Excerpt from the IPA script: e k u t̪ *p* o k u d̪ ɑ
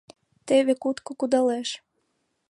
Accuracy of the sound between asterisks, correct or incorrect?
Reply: incorrect